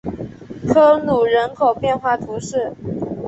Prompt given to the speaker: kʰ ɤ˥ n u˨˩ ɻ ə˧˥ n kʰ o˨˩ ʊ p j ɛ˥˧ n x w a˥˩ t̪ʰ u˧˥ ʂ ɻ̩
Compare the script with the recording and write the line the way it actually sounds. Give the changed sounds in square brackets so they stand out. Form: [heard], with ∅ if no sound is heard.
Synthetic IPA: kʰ ɤ˥ n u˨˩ ɻ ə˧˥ n kʰ o˨˩ ʊ p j ɛ˥˧ n x w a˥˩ t̪ʰ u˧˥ ʂ ɻ̩

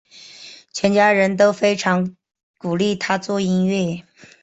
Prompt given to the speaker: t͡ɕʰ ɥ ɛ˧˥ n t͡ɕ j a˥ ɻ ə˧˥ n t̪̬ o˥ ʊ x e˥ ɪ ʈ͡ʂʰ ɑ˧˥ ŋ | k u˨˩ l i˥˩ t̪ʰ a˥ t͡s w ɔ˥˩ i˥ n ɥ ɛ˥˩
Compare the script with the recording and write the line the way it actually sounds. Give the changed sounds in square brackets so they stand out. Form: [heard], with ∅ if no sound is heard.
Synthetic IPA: t͡ɕʰ ɥ ɛ˧˥ n t͡ɕ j a˥ ɻ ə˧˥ n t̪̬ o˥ ʊ [f] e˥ ɪ ʈ͡ʂʰ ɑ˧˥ ŋ | k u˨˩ l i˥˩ t̪ʰ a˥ t͡s w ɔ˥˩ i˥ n ɥ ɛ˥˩

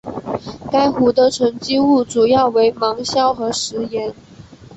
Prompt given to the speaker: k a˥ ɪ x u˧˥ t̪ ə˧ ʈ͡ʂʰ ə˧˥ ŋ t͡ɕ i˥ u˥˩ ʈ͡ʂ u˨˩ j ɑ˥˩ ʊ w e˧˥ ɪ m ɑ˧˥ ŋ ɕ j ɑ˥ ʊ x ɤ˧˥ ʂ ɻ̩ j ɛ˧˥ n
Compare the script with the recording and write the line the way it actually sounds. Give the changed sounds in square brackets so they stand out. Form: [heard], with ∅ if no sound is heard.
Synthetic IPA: k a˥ ɪ x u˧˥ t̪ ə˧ ʈ͡ʂʰ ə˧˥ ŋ t͡ɕ i˥ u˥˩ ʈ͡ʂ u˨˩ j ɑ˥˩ ʊ w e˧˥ ɪ m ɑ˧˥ ŋ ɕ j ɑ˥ ʊ x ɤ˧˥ ʂ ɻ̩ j ɛ˧˥ n

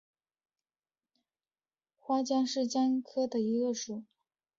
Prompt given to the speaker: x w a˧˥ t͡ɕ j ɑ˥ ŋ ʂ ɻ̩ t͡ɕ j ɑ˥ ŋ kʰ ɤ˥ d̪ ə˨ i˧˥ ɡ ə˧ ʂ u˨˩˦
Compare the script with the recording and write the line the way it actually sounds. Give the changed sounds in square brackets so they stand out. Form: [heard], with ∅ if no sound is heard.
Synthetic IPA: x w [a˥] t͡ɕ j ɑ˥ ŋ ʂ ɻ̩ t͡ɕ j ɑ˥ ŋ kʰ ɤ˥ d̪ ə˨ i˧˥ ɡ ə˧ ʂ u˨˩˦

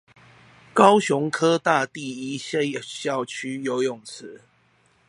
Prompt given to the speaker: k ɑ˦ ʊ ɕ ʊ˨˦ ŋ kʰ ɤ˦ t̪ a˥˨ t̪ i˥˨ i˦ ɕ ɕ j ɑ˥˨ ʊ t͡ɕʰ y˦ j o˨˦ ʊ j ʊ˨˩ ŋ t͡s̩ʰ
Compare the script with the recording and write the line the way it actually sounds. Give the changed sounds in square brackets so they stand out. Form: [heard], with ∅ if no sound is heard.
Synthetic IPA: k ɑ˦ ʊ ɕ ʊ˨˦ ŋ kʰ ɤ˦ t̪ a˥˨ t̪ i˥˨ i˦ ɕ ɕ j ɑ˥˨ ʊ t͡ɕʰ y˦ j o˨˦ ʊ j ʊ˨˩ ŋ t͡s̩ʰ

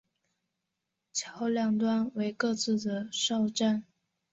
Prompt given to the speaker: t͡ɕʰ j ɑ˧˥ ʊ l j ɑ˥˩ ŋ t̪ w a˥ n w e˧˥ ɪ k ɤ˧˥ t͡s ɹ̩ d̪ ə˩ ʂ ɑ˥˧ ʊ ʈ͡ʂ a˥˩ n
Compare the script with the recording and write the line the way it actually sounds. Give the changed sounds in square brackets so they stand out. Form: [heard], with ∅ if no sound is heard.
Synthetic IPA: t͡ɕʰ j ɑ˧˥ ʊ l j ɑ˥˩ ŋ t̪ w a˥ n w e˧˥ ɪ k [ɤ˥˧] t͡s ɹ̩ d̪ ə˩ ʂ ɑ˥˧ ʊ ʈ͡ʂ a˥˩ n

